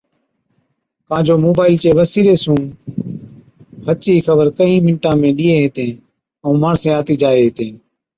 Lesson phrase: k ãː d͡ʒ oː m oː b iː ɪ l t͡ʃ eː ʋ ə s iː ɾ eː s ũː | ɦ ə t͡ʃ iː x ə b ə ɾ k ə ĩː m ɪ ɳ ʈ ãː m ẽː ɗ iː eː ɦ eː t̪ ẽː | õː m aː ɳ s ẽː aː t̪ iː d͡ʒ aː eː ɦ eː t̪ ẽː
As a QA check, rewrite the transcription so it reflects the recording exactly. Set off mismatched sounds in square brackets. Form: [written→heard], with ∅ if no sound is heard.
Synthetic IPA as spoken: k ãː d͡ʒ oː m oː b [iː→aː] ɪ l t͡ʃ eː ʋ ə s iː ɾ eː s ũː | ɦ ə t͡ʃ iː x ə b ə ɾ k ə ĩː m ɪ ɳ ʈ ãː m ẽː ɗ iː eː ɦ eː t̪ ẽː | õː m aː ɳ s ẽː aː t̪ iː d͡ʒ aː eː ɦ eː t̪ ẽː